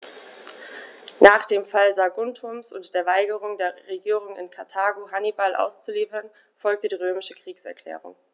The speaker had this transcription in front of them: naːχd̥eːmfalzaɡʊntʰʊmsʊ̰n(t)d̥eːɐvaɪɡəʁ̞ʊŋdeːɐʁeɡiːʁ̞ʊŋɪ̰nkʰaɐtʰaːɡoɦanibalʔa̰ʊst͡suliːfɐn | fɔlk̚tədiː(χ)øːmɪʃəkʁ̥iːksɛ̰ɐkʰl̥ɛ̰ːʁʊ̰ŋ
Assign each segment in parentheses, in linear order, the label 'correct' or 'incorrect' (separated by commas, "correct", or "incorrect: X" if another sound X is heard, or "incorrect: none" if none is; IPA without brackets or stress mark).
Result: correct, incorrect: ʁ